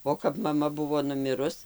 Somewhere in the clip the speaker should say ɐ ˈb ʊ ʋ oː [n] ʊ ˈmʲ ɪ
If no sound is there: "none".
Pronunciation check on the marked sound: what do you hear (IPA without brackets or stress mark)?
n